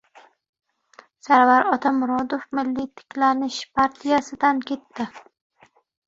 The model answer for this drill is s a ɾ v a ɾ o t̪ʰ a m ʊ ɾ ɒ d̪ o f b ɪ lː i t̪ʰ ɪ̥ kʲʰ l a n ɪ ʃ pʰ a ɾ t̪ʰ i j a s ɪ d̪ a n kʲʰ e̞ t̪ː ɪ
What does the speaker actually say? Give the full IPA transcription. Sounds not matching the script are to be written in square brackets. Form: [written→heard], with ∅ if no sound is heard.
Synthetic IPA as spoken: s a ɾ v a ɾ [o→ɒ] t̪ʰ a m ʊ ɾ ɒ d̪ o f [b→m] ɪ lː i t̪ʰ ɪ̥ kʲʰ l a n ɪ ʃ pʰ a ɾ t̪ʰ i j a s ɪ d̪ a n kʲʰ e̞ t̪ː ɪ